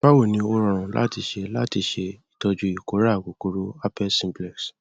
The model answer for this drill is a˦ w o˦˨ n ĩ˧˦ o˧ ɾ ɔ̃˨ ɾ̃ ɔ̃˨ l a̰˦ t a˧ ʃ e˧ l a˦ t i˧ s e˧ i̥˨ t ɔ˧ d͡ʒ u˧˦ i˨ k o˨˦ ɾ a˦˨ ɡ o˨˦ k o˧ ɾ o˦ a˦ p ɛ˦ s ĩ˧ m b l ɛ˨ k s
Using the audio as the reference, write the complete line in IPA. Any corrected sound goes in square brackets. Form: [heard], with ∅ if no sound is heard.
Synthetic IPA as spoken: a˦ w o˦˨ n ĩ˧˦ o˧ ɾ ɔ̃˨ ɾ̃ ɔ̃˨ l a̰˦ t [i˧] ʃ e˧ l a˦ t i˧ [ʃ] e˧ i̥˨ t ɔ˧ d͡ʒ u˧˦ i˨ k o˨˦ ɾ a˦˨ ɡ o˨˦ k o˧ ɾ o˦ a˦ p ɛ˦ s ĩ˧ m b l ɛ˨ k s